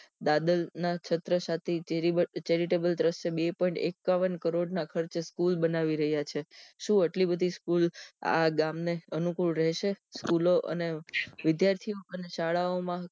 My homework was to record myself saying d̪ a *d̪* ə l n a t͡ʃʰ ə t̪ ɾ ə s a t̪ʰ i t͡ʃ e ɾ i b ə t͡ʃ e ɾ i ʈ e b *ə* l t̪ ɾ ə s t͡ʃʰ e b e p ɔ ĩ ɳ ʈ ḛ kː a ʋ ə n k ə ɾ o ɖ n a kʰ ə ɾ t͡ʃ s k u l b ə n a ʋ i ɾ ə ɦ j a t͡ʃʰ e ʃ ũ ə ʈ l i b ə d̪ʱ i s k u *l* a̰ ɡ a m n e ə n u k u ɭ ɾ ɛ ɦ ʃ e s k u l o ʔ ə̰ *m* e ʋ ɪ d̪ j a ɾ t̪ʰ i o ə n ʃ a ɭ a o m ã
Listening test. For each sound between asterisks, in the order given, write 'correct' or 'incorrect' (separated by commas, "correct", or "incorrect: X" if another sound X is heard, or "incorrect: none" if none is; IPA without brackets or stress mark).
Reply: correct, correct, correct, incorrect: n